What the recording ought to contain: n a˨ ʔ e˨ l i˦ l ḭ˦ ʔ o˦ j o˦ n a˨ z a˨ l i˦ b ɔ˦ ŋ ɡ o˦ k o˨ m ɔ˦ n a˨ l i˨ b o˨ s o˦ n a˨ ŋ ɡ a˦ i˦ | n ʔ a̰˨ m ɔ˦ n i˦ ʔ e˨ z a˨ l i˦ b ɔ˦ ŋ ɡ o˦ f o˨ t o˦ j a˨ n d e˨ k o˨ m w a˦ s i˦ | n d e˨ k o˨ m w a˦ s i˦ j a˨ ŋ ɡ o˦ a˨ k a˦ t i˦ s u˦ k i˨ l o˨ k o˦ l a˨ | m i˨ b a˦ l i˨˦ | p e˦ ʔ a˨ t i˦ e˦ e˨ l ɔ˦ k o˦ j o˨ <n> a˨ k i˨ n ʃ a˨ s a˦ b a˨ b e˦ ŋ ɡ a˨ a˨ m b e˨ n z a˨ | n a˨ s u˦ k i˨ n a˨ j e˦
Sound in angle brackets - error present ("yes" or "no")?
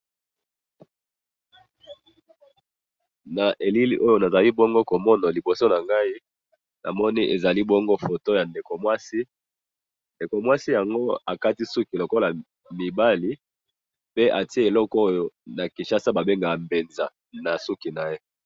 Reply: no